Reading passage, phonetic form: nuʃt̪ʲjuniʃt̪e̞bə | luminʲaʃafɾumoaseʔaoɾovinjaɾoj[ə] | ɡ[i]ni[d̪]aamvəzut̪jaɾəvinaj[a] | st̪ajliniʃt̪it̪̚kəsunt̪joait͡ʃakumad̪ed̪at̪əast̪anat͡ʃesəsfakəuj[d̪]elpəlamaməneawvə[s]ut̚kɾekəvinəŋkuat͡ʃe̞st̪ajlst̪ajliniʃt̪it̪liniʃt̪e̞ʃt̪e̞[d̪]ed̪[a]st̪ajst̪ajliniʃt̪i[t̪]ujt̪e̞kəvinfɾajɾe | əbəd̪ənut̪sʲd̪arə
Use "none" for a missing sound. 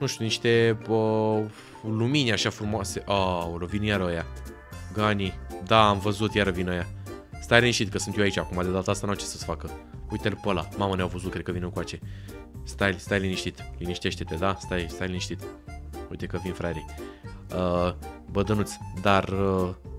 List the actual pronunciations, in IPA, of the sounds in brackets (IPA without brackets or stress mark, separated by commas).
a, a, d̪, a, t̪, z, t̪, a, t̪